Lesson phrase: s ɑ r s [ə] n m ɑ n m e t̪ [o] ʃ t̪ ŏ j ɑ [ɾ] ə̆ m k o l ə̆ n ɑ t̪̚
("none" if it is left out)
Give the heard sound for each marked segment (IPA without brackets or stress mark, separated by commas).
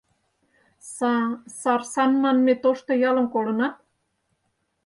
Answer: ɑ, o, l